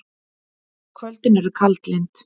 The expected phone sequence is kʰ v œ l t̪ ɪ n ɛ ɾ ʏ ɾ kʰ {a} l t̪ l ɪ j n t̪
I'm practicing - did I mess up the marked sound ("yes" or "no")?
no